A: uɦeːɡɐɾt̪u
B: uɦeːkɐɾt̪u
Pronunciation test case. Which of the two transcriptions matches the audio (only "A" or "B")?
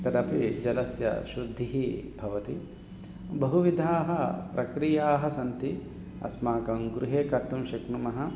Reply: B